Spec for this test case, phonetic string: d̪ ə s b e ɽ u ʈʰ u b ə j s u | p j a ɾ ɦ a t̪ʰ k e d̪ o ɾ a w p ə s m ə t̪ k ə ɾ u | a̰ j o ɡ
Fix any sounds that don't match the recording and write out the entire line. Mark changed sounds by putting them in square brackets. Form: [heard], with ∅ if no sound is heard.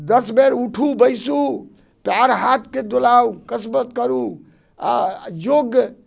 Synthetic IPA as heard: d̪ ə s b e [ɾ] u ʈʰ u b ə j s u | p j a ɾ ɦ a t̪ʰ k e d̪ o [l] a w [k] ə s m ə t̪ k ə ɾ u | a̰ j o ɡ